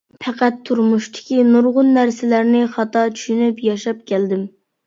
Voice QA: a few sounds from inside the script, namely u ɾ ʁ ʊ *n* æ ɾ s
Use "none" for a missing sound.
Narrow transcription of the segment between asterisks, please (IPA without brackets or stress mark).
nː